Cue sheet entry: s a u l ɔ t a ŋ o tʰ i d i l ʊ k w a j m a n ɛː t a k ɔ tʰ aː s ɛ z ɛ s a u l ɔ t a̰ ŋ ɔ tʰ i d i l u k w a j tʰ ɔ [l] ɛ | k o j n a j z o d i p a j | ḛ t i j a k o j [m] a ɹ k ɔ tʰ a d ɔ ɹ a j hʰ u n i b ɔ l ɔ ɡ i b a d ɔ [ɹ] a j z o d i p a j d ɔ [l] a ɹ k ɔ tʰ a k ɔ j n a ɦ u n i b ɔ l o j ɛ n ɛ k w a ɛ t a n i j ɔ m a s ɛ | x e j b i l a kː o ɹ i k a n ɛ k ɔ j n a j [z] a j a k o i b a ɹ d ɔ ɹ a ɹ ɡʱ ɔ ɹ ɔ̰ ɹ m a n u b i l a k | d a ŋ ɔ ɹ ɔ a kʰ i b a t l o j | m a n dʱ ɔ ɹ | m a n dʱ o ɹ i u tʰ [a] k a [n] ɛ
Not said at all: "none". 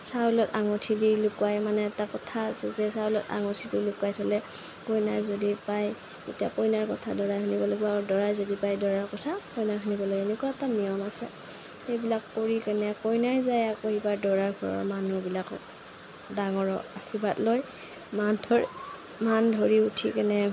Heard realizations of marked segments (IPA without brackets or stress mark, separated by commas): l, n, ɹ, ɹ, z, i, n